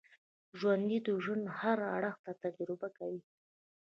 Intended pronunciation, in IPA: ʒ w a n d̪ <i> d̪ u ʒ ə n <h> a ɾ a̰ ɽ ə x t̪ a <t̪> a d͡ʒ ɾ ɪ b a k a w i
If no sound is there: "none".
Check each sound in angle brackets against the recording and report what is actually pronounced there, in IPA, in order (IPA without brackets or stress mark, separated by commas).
i, h, t̪